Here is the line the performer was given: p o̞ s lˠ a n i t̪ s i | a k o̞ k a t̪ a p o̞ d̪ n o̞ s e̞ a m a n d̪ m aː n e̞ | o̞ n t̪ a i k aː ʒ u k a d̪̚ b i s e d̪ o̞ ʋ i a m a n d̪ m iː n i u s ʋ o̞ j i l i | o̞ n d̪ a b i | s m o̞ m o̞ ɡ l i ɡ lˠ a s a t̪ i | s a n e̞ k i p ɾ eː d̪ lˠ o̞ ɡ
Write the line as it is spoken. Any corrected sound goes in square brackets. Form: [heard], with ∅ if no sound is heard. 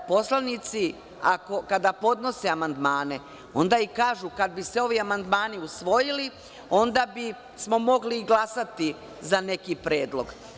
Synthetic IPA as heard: p o̞ s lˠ a n i t̪ s i | a k o̞ k a [d̪] a p o̞ d̪ n o̞ s e̞ a m a n d̪ m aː n e̞ | o̞ n [d̪] a i k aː ʒ u k a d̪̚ b i s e [∅] o̞ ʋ i a m a n d̪ m [aː] n i u s ʋ o̞ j i l i | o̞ n d̪ a b i | s m o̞ m o̞ ɡ l i ɡ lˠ a s a t̪ i | [z] a n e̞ k i p ɾ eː d̪ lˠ o̞ ɡ